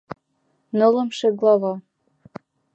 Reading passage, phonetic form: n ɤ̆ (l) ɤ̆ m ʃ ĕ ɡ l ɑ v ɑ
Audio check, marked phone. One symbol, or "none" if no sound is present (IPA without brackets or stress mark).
l